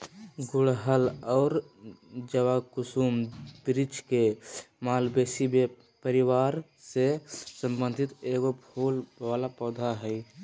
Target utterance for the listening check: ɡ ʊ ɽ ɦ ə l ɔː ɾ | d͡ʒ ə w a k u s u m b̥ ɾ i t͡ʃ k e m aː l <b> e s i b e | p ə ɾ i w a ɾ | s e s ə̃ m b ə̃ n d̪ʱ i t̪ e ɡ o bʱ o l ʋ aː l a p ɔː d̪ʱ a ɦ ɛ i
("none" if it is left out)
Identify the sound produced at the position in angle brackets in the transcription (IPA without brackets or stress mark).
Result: b